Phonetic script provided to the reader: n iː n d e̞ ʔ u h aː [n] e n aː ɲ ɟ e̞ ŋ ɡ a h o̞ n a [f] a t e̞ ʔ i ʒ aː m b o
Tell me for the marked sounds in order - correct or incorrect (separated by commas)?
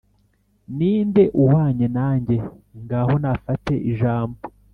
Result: incorrect, correct